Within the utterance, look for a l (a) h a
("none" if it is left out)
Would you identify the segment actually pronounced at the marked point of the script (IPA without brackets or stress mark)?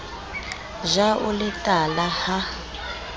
a